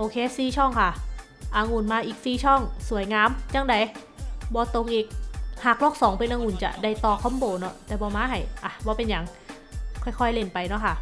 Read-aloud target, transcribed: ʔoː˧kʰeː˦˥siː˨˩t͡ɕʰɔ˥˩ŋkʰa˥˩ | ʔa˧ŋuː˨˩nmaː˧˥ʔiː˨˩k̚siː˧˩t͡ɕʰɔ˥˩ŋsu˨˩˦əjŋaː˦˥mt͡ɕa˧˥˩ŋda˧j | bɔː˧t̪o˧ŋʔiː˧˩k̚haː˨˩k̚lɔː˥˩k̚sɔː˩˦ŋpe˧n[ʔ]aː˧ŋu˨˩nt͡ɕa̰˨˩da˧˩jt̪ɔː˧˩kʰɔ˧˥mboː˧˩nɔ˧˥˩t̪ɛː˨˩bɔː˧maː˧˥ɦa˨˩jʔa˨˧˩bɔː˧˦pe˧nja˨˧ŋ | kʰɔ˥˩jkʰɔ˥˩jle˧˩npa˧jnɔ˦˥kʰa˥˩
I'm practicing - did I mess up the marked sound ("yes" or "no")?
no